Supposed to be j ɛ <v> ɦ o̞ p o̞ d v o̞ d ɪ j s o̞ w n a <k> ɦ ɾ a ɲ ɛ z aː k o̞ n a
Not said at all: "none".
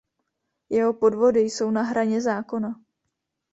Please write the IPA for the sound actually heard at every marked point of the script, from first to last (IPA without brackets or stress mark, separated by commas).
none, none